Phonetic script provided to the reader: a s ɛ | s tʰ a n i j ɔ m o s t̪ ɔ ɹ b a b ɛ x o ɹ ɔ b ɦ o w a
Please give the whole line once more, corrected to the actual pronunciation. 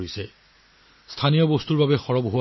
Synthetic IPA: i s ɛ | s tʰ a n i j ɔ b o s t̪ u ɹ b a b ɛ x ɔ ɹ ɔ b ɦ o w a